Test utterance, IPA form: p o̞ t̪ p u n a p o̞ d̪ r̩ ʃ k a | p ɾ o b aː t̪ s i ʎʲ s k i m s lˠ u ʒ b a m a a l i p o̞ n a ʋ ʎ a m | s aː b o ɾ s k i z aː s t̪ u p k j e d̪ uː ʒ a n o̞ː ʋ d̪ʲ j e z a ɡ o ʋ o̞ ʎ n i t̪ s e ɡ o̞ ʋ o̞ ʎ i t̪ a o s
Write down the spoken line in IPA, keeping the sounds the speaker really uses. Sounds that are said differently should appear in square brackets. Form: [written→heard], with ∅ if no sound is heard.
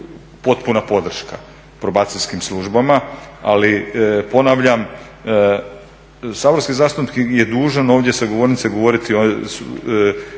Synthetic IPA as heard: p o̞ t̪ p u n a p o̞ d̪ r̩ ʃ k a | p ɾ o b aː t̪ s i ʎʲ s k i m s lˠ u ʒ b a m a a l i p o̞ n a ʋ ʎ a m | s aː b o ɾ s k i z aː s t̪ u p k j e d̪ uː ʒ a n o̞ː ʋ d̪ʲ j e [z→s] a ɡ o ʋ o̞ [ʎ→ɾ] n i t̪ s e ɡ o̞ ʋ o̞ [ʎ→ɾ] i t̪ [a→i] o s

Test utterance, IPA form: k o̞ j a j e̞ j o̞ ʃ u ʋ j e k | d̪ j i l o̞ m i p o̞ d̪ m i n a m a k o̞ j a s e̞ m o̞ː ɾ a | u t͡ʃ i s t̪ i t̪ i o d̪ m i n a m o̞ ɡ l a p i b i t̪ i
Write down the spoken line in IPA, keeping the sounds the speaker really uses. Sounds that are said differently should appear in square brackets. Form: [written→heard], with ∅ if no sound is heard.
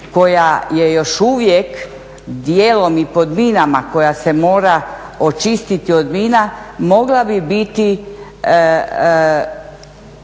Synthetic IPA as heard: k o̞ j a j e̞ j o̞ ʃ u ʋ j e k | d̪ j [i→e] l o̞ m i p o̞ d̪ m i n a m a k o̞ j a s e̞ m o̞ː ɾ a | [u→o] t͡ʃ i s t̪ i t̪ i o d̪ m i n a m o̞ ɡ l a [p→b] i b i t̪ i

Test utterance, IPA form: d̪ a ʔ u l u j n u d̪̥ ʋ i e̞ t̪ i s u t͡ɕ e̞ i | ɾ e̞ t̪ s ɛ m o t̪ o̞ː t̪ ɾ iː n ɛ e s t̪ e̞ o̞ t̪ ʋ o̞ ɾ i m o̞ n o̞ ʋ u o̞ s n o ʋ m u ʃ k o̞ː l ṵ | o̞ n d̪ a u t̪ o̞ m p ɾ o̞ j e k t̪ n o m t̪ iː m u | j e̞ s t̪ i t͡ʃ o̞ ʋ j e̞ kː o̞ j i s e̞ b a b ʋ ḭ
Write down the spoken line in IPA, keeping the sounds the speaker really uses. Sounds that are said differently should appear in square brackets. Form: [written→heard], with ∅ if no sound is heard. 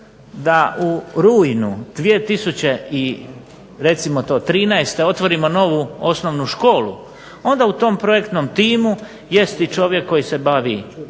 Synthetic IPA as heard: d̪ a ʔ u [l→ɾ] u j n u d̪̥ ʋ i e̞ t̪ i s u t͡ɕ e̞ i | ɾ e̞ t̪ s [ɛ→i] m o t̪ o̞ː t̪ ɾ iː n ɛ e s t̪ e̞ o̞ t̪ ʋ o̞ ɾ i m o̞ n o̞ ʋ u o̞ s n o ʋ [m→n] u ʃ k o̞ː l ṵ | o̞ n d̪ a u t̪ o̞ m p ɾ o̞ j e k t̪ n o m t̪ iː m u | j e̞ s t̪ i t͡ʃ o̞ ʋ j e̞ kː o̞ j i s e̞ b a [b→∅] ʋ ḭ

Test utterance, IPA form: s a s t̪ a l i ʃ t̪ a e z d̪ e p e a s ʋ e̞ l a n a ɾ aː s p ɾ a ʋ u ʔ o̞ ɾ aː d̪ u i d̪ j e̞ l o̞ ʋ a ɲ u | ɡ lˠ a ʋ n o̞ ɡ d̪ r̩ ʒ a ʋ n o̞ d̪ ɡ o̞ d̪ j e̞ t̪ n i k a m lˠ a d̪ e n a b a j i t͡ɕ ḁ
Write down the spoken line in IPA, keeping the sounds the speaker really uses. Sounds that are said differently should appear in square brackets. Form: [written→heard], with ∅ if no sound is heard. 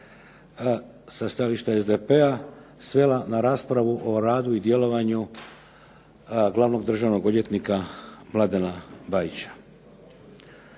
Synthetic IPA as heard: s a s t̪ a l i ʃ t̪ a e z d̪ e p e a s ʋ e̞ l a n a ɾ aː s p ɾ a ʋ u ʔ o̞ ɾ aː d̪ u i d̪ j e̞ l o̞ ʋ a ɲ u | ɡ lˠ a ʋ n o̞ ɡ d̪ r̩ ʒ a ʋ n o̞ [d̪→∅] ɡ o̞ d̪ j e̞ t̪ n i k a m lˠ a d̪ e n a b a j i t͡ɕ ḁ

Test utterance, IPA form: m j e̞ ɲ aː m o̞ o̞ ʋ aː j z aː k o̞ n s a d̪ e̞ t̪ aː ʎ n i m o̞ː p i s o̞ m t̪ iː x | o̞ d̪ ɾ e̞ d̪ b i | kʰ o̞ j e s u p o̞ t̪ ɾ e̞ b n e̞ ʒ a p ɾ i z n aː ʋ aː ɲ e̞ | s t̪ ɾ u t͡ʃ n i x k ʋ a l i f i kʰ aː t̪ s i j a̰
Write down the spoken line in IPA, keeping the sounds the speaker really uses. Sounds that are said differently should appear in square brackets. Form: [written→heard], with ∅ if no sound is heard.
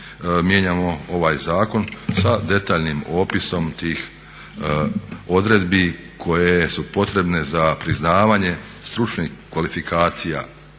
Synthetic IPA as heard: m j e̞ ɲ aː m o̞ o̞ ʋ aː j z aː k o̞ n s a d̪ e̞ t̪ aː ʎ n i m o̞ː p i s o̞ m t̪ iː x | o̞ d̪ ɾ e̞ d̪ b i | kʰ o̞ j e s u p o̞ t̪ ɾ e̞ b n e̞ [ʒ→z] a p ɾ i z n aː ʋ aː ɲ e̞ | s t̪ ɾ u t͡ʃ n i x k ʋ a l i f i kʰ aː t̪ s i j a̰

